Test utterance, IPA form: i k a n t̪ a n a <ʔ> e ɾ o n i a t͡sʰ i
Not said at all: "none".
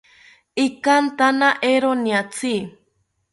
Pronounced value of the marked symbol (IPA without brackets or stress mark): ʔ